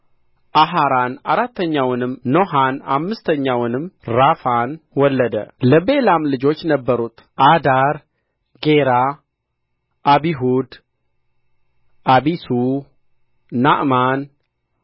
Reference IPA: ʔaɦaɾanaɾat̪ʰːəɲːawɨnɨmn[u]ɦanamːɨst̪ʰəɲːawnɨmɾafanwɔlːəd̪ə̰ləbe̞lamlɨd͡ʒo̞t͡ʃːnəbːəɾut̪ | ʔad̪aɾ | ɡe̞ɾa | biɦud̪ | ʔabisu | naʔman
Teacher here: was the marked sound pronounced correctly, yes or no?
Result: no